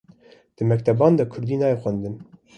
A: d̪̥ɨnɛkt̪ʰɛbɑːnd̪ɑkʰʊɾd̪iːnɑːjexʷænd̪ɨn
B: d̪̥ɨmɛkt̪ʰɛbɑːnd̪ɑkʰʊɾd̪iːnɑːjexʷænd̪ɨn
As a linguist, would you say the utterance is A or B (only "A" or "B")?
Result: B